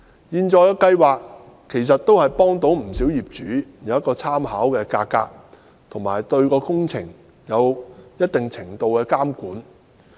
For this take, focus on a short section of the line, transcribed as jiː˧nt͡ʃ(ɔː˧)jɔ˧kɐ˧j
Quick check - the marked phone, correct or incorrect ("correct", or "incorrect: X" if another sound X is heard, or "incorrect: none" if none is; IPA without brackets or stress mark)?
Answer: correct